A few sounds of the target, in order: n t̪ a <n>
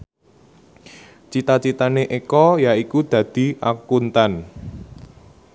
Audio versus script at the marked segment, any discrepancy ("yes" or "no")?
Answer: no